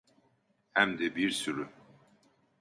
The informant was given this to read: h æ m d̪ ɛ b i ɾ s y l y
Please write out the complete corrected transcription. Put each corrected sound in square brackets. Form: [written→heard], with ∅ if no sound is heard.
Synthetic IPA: h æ m d̪ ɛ b i ɾ s y [l→ɾ] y

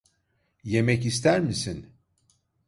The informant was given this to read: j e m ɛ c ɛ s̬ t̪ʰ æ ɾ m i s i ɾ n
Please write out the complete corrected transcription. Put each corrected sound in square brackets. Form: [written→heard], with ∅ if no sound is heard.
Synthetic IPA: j e m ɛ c [ɛ→i] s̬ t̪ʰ æ ɾ m i s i [ɾ→∅] n

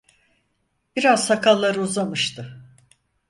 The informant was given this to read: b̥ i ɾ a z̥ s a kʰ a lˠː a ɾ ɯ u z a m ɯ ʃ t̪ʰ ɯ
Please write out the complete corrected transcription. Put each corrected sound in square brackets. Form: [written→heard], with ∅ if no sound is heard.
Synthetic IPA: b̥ i ɾ a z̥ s a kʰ a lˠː a ɾ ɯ u z a m ɯ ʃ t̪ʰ ɯ

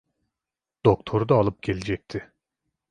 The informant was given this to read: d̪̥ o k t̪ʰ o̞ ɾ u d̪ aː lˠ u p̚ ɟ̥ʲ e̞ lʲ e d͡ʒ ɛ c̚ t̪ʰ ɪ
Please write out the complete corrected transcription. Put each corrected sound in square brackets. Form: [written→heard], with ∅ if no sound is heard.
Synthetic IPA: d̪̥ o k t̪ʰ o̞ ɾ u d̪ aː lˠ [u→ɯ] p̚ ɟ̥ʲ e̞ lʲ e d͡ʒ ɛ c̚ t̪ʰ ɪ

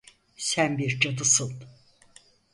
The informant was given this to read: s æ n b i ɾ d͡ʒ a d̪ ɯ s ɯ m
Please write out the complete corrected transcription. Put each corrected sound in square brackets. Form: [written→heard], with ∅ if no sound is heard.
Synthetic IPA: s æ n b i ɾ d͡ʒ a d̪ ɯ s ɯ [m→n]

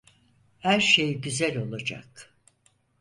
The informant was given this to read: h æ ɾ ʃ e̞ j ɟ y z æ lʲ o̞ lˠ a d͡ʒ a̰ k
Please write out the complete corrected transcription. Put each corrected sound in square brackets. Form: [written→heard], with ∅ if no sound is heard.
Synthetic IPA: h æ ɾ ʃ e̞ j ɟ y z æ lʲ o̞ lˠ a d͡ʒ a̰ k

